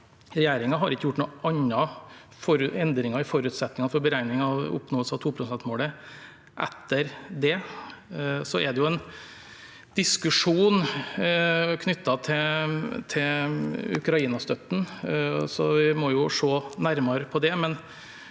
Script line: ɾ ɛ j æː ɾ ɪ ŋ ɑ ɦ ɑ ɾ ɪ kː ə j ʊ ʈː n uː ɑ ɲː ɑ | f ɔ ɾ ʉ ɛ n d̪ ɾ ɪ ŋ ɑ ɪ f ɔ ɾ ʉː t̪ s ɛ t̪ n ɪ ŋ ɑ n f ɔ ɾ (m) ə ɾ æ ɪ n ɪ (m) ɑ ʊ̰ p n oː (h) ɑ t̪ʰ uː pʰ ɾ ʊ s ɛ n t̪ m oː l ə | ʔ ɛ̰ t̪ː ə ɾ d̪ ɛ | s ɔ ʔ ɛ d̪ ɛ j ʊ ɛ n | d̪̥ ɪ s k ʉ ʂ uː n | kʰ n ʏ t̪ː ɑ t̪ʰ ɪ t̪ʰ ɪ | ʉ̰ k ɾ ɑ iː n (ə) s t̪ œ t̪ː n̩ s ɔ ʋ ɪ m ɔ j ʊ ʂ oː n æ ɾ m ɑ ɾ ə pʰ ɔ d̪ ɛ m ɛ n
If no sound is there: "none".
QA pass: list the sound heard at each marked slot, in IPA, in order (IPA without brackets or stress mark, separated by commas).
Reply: b, ŋ, s, ɑ